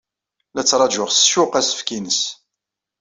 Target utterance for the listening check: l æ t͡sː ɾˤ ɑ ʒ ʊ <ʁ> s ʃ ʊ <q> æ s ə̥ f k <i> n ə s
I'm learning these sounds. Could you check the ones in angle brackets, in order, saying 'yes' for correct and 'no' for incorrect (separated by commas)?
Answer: yes, yes, yes